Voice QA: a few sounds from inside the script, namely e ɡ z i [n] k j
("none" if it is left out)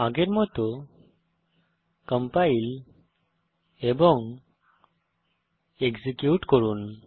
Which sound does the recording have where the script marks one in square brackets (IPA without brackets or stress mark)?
none